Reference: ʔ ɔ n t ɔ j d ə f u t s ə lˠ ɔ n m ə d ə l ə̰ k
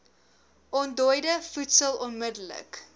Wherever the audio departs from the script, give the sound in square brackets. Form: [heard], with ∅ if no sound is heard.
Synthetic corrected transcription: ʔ ɔ n [d] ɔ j d ə f u t s ə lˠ ɔ n m ə d ə l ə̰ k